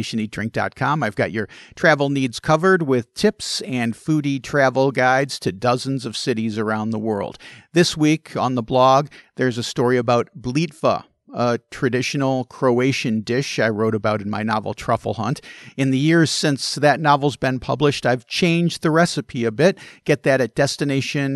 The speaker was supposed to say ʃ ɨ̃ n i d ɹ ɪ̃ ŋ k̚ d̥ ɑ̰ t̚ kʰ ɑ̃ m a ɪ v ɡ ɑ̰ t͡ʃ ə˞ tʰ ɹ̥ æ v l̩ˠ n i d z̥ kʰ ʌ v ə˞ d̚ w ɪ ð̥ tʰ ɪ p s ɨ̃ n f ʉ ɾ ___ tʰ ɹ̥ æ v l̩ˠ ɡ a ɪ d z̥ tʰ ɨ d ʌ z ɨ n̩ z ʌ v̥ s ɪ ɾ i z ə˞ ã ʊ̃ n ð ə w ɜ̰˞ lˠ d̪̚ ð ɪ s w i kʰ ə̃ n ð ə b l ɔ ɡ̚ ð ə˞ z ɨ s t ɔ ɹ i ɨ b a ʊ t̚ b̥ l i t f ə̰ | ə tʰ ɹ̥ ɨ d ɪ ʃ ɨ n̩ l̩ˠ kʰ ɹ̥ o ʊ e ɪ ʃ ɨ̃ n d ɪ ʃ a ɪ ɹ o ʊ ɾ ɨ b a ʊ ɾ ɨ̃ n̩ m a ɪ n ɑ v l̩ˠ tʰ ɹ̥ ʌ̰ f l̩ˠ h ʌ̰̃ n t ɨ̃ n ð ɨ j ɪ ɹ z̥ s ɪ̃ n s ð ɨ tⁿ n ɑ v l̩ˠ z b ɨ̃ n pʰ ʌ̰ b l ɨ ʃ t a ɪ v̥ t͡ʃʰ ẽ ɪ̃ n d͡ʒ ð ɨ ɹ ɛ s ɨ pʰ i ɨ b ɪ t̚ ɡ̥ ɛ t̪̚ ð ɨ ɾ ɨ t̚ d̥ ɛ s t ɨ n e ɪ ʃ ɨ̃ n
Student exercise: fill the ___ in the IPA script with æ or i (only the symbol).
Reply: i